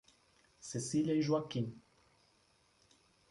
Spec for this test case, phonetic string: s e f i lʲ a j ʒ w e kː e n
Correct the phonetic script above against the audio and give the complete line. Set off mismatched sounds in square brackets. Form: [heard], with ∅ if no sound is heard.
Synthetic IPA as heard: s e [s] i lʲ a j ʒ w [a] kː [i] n